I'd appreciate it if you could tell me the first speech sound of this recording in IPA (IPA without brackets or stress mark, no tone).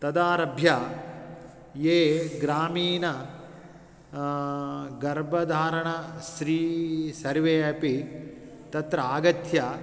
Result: t̪